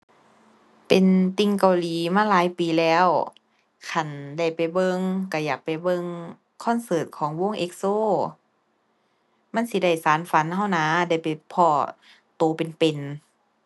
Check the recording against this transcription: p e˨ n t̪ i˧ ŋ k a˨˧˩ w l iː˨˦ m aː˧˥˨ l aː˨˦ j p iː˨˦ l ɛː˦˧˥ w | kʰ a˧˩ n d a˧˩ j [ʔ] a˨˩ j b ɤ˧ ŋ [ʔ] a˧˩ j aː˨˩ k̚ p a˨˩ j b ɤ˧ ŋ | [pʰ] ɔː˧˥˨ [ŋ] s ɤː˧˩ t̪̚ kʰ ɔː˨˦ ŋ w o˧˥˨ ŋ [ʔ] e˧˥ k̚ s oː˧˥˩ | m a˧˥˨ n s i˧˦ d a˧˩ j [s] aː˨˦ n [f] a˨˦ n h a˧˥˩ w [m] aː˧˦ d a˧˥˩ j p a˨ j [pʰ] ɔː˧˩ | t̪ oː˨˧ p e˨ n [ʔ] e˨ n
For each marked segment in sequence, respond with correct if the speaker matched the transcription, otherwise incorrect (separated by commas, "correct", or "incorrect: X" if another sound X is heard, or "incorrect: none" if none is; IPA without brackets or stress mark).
incorrect: p, incorrect: k, incorrect: kʰ, incorrect: n, correct, correct, correct, incorrect: n, correct, incorrect: p